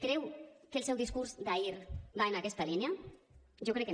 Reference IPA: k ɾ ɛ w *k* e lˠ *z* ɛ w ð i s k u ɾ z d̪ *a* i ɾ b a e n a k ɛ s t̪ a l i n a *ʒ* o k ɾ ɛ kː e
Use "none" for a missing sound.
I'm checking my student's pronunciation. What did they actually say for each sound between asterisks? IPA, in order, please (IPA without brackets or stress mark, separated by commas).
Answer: k, s, a, ʒ